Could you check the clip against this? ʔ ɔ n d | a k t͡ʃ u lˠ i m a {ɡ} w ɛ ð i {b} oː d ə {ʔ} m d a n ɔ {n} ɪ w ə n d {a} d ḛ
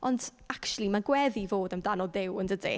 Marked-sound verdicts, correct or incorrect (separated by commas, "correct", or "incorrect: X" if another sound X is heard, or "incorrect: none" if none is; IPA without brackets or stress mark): correct, incorrect: v, incorrect: none, incorrect: d, incorrect: ə